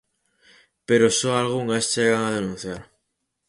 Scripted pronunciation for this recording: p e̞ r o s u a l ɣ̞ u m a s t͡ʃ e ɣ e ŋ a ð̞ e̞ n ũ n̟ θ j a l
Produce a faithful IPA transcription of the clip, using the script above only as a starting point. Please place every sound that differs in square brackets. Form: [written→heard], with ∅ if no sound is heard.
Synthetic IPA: p e̞ [r→ɾ] o s [u→o] a l ɣ̞ u [m→ŋ] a s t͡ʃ e ɣ [e→a] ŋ a ð̞ e̞ n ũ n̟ θ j a [l→ɾ]